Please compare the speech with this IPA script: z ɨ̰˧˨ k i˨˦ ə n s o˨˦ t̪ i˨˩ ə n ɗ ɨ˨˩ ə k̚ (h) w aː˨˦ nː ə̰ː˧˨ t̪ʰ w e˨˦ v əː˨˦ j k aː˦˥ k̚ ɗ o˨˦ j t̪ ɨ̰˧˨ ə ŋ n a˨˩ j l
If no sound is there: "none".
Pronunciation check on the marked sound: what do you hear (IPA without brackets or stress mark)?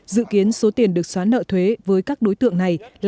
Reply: s